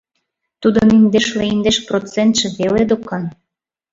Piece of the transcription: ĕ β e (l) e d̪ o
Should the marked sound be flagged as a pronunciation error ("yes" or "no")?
no